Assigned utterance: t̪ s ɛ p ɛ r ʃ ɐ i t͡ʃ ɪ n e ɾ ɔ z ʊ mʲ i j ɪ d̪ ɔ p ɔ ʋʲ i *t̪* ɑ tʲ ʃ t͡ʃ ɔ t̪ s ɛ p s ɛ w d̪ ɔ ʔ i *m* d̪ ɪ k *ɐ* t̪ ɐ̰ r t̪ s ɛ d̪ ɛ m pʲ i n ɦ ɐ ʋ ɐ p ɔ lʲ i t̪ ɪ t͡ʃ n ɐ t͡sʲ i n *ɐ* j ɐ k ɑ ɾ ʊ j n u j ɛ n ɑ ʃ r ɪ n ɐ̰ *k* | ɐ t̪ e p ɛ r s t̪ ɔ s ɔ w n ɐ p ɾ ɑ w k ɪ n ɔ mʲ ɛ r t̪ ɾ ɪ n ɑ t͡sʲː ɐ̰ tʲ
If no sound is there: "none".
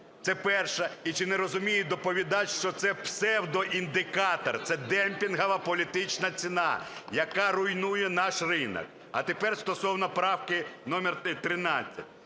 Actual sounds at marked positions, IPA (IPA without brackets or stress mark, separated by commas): d̪, n, ɑ, ɑ, k